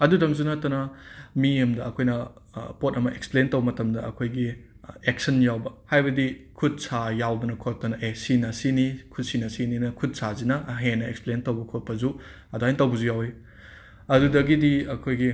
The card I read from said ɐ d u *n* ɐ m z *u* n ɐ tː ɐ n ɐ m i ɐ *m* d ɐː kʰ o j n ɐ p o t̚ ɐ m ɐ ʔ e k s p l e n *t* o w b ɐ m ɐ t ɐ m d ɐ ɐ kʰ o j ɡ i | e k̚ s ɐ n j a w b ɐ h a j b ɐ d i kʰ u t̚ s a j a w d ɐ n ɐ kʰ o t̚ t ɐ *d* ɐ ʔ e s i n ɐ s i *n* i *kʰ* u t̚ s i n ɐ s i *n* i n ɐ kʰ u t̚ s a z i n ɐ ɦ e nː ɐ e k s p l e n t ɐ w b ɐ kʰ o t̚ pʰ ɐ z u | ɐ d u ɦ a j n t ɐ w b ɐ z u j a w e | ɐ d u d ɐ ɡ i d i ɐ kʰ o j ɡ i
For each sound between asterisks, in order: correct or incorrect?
incorrect, correct, correct, correct, incorrect, correct, correct, correct

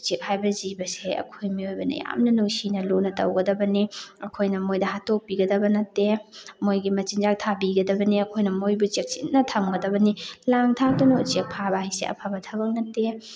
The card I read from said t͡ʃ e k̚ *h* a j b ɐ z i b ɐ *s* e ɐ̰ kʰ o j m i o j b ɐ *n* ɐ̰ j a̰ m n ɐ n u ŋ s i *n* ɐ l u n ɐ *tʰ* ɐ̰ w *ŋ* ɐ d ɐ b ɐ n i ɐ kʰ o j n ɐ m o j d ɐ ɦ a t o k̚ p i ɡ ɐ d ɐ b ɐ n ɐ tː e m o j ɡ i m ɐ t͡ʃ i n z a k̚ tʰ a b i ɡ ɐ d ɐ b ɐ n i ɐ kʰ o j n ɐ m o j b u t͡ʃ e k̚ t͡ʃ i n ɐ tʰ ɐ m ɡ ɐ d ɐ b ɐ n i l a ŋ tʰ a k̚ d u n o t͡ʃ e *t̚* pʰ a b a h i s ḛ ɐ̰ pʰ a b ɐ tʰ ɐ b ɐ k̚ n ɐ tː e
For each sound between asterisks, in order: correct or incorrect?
correct, correct, correct, correct, incorrect, incorrect, incorrect

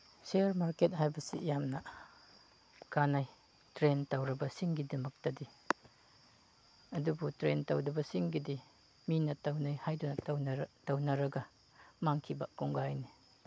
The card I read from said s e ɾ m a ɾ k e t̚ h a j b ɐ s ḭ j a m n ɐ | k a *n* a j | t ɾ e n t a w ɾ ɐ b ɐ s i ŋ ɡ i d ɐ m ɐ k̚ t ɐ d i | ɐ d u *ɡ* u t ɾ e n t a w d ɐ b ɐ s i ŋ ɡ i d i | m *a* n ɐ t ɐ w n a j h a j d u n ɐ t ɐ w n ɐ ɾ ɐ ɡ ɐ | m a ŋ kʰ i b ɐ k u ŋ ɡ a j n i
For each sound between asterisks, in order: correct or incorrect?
correct, incorrect, incorrect

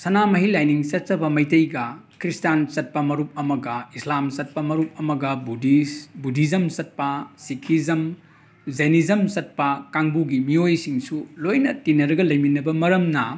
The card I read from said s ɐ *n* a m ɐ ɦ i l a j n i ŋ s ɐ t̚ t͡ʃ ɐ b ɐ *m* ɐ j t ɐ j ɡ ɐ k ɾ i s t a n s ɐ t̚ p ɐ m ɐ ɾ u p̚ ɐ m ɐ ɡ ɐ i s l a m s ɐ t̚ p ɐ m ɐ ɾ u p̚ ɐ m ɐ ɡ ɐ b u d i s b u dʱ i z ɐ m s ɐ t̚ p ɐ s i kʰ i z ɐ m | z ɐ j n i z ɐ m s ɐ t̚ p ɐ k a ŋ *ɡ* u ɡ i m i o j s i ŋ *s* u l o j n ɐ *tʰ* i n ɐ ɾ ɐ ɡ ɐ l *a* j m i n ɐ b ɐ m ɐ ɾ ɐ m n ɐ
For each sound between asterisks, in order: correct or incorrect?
correct, correct, incorrect, correct, incorrect, incorrect

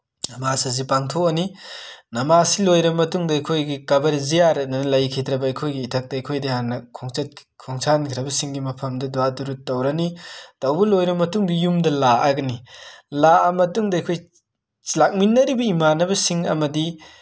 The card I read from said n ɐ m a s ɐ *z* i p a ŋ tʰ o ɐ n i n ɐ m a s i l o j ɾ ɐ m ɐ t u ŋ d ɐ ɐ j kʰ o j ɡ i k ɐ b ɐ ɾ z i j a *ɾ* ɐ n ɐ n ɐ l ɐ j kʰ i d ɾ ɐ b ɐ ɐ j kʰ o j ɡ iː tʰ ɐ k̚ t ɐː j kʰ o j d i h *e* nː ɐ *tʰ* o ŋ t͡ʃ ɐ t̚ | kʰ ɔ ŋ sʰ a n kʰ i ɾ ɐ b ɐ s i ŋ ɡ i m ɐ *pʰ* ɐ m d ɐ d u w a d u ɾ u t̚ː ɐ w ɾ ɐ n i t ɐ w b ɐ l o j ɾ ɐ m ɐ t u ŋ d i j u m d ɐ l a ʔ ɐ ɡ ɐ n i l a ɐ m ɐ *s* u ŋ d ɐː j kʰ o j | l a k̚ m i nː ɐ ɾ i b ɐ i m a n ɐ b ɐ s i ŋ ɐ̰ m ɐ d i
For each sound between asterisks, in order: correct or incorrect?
correct, correct, incorrect, incorrect, correct, incorrect

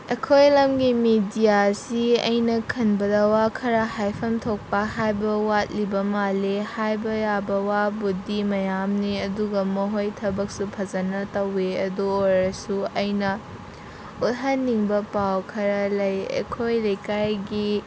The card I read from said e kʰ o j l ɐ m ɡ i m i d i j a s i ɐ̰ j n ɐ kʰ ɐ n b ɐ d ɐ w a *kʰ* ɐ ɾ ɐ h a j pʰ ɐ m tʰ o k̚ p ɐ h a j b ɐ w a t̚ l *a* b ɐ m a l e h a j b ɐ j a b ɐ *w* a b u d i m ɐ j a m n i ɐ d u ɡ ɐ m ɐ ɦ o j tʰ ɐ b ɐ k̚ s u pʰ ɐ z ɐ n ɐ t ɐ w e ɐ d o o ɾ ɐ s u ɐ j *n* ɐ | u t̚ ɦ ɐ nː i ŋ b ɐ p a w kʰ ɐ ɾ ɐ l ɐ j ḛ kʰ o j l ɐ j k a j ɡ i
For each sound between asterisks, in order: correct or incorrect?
correct, incorrect, correct, correct

